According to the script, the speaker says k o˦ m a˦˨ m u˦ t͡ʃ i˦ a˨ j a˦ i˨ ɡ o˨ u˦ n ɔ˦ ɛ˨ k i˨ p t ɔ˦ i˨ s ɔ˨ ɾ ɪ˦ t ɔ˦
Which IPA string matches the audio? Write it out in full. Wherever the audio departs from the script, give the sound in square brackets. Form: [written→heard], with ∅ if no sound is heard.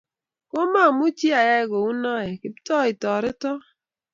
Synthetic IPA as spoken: k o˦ m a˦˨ m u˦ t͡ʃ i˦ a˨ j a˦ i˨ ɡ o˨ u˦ n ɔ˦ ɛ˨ k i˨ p t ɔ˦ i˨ [s→t] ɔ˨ ɾ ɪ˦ t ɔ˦

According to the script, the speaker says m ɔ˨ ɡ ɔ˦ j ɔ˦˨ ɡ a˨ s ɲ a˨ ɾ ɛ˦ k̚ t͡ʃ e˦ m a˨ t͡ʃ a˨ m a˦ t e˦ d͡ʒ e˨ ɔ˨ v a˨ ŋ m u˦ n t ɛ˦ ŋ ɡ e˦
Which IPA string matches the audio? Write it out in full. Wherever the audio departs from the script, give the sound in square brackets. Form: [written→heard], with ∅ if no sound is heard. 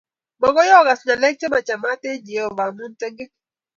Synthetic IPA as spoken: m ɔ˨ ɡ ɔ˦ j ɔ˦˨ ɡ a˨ s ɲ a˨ [ɾ→l] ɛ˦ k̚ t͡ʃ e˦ m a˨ t͡ʃ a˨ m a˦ t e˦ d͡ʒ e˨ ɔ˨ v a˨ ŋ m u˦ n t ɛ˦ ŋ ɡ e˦

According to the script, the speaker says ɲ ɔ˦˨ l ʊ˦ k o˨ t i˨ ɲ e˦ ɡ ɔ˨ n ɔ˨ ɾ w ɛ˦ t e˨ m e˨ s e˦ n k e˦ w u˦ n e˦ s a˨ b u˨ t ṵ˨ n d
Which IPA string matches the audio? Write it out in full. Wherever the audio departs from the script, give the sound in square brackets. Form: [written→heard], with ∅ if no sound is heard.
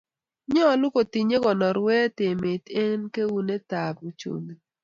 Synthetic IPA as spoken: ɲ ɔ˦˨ l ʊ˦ k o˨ t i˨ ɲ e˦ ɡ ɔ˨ n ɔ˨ ɾ w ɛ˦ t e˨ m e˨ [s→t] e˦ n k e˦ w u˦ n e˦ [s→t] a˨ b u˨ [t→t͡ʃ] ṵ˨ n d

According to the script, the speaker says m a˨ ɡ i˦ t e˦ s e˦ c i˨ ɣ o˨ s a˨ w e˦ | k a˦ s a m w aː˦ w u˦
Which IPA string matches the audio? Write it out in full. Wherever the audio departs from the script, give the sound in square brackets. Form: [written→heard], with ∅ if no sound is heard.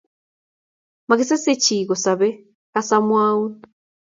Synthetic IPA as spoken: m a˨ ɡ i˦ [t→s] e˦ s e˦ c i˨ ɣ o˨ s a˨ [w→β] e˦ | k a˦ s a m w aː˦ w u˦

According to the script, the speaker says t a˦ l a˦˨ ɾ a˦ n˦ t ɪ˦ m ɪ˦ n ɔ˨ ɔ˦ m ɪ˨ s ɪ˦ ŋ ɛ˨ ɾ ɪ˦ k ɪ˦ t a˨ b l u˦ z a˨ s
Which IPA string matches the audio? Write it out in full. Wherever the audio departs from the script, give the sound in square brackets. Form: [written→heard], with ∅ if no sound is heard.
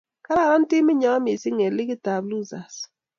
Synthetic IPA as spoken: [t→k] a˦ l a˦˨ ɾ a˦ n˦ t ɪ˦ m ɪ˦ [n→ɲ] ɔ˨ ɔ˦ m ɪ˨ s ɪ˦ ŋ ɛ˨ [ɾ→l] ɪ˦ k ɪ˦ t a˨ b l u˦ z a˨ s

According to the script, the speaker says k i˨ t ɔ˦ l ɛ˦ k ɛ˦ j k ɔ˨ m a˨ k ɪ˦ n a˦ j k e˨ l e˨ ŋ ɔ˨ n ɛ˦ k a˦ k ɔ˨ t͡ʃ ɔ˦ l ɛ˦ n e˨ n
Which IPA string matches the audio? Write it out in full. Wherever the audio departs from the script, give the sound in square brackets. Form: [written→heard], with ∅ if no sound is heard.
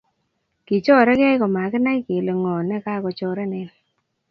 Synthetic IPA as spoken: k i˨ [t→t͡ʃ] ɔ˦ [l→ɾ] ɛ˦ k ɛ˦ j k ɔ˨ m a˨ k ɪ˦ n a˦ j k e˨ l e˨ ŋ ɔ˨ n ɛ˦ k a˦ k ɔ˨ t͡ʃ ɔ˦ [l→ɾ] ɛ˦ n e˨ n

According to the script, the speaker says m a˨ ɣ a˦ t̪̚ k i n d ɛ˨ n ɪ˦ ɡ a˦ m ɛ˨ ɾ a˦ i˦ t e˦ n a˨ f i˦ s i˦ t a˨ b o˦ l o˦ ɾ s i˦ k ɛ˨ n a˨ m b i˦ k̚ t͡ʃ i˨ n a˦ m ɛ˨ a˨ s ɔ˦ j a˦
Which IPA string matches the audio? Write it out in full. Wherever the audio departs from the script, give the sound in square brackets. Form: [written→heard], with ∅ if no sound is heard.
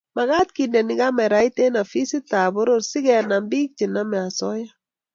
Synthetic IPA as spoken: m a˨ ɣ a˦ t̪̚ k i n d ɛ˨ n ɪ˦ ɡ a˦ m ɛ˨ ɾ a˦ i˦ t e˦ n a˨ f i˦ s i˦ t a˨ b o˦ [l→ɾ] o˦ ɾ s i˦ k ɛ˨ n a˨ m b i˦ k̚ t͡ʃ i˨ n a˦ m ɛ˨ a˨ s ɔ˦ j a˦

